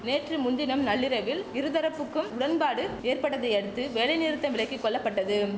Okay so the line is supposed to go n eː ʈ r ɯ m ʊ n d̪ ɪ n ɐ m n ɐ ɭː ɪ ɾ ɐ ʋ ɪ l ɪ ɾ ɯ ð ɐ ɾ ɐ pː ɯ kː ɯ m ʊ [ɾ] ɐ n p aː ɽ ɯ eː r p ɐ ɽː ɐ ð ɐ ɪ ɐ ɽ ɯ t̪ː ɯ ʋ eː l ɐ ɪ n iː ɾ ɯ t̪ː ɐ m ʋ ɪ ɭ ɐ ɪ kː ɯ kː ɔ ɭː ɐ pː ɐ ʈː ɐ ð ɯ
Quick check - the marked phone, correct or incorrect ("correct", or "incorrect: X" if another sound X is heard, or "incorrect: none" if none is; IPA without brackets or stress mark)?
incorrect: ɽ